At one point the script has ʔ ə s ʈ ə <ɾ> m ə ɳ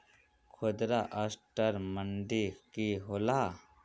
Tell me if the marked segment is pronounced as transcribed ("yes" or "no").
yes